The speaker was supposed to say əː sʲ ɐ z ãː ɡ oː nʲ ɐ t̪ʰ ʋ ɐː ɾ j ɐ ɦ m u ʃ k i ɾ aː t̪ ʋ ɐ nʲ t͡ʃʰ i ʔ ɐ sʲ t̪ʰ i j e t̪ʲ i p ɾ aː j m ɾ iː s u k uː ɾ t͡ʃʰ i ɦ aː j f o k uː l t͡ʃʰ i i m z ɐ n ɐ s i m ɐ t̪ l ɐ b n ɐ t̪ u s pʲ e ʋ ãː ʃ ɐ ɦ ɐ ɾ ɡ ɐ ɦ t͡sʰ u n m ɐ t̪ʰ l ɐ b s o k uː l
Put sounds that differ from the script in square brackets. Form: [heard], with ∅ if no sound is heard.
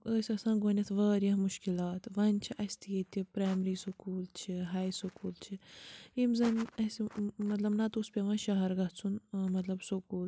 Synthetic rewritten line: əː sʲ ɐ [s] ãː ɡ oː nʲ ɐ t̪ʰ ʋ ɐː ɾ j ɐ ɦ m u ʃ k i [l] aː t̪ ʋ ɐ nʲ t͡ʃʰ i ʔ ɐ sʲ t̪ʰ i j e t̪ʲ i p ɾ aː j m ɾ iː s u k uː [l] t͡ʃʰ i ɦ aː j [s] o k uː l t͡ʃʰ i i m z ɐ n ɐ s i m ɐ t̪ l ɐ b n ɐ t̪ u s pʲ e ʋ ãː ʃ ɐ ɦ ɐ ɾ ɡ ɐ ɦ t͡sʰ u n m ɐ [t̪] l ɐ b s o k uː l